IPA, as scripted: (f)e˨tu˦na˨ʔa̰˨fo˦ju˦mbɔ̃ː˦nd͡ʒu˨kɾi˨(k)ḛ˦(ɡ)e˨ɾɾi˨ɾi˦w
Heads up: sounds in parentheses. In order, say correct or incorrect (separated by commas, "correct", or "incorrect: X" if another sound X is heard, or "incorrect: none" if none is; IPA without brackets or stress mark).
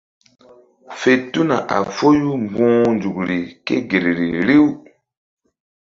correct, correct, correct